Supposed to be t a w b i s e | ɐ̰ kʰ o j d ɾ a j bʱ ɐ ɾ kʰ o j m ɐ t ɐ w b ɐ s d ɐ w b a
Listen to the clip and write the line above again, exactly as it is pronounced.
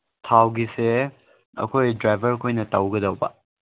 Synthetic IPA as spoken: tʰ a w ɡ i s e | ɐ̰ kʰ o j d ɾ a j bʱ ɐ ɾ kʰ o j n ɐ t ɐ w ɡ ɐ d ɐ w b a